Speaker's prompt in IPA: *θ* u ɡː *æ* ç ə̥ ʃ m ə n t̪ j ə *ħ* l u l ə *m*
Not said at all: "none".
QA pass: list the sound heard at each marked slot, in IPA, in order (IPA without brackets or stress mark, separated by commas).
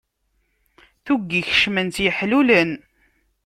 θ, i, ħ, n